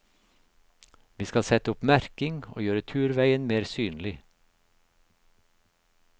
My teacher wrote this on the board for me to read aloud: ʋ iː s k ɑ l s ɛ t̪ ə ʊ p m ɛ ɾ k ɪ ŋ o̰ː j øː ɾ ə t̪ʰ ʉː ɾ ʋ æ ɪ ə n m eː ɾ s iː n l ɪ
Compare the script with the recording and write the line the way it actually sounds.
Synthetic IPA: ʋ iː s k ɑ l s ɛ t̪ ə ʊ p m æ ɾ k ɪ ŋ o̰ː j øː ɾ ə t̪ʰ ʉː ɾ ʋ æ ɪ ə n m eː ɾ s yː n l ɪ